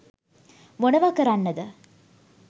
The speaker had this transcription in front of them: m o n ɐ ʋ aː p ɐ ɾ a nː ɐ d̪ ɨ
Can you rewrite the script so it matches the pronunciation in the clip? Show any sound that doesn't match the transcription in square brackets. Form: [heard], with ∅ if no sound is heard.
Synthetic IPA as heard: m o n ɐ ʋ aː [k] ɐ ɾ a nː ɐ d̪ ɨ